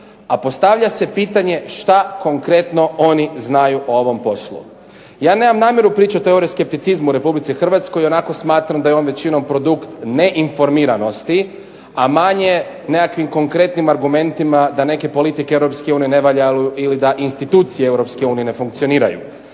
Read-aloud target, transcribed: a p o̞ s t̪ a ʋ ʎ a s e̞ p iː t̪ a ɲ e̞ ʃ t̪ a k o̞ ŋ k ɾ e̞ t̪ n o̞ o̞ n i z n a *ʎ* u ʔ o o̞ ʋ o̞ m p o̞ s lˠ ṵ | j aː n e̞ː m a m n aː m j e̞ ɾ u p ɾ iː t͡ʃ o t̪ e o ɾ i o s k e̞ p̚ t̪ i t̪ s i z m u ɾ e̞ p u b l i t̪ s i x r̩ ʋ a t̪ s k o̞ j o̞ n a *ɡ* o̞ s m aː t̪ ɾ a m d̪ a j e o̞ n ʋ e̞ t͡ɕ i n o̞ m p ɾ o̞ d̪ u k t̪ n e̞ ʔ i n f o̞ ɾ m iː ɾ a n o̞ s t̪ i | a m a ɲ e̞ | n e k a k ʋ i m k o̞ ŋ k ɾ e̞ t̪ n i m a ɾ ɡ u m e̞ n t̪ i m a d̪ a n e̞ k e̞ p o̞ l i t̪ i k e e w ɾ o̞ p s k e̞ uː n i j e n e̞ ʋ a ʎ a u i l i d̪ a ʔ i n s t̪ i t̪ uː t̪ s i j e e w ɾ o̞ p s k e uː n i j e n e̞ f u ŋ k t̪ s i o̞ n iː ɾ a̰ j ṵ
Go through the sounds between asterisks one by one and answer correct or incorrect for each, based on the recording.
incorrect, incorrect

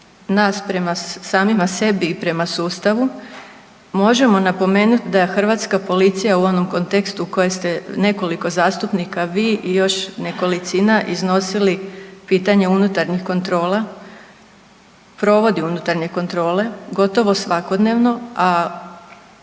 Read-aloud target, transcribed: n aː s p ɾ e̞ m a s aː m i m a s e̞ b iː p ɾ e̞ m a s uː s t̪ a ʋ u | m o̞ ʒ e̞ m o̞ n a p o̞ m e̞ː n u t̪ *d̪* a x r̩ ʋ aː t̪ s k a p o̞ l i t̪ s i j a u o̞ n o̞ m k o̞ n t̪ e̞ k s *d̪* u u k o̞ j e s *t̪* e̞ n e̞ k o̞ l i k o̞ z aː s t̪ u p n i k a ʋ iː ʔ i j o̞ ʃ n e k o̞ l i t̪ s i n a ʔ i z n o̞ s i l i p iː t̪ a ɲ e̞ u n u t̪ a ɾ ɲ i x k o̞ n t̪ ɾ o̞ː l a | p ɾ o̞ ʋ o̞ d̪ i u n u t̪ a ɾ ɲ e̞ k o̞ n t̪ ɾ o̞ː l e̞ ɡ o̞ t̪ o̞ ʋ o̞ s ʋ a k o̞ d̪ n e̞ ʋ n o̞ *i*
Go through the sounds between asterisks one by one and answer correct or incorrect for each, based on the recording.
correct, incorrect, correct, incorrect

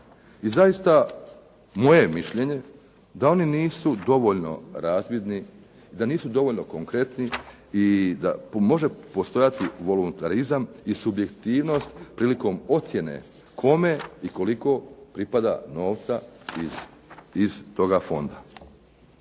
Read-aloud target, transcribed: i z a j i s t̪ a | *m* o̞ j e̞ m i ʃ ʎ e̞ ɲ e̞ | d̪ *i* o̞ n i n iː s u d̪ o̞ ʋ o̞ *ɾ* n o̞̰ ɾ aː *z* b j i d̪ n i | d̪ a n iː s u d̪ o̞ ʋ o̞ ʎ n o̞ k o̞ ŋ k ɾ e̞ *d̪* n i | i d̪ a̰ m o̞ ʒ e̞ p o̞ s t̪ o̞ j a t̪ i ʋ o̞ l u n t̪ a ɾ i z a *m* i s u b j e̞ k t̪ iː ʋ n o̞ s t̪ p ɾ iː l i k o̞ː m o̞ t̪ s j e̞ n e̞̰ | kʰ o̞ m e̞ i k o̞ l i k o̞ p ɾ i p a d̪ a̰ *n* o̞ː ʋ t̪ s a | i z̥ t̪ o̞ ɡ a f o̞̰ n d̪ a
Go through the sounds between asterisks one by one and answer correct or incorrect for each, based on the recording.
correct, incorrect, incorrect, correct, incorrect, correct, correct

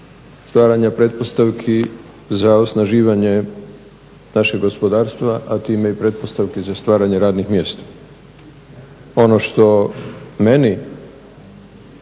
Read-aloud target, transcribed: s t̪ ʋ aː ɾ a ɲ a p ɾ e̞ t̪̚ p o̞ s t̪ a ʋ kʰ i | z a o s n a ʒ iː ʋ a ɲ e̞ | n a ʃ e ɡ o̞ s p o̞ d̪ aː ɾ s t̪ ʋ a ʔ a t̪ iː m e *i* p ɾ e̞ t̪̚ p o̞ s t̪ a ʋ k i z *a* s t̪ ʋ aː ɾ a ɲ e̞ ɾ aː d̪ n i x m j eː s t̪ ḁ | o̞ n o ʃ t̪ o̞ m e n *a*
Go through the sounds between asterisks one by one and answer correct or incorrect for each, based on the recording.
correct, correct, incorrect

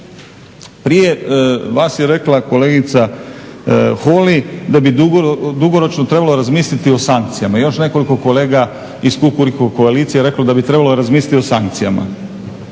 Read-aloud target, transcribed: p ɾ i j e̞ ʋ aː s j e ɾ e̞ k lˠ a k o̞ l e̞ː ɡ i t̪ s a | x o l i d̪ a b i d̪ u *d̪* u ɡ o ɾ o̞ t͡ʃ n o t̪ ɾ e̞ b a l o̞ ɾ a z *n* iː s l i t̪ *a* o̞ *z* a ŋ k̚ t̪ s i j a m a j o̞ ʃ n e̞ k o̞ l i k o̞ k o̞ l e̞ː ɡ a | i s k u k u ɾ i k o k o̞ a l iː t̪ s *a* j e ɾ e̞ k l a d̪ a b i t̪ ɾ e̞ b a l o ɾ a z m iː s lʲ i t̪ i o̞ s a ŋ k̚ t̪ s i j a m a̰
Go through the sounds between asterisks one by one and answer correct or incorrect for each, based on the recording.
correct, incorrect, incorrect, incorrect, incorrect

